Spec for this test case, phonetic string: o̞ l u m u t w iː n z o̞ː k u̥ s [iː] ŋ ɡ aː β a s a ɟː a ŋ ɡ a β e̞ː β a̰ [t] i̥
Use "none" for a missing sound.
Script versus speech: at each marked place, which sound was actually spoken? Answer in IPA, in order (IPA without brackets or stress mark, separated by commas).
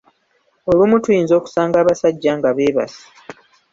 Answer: aː, s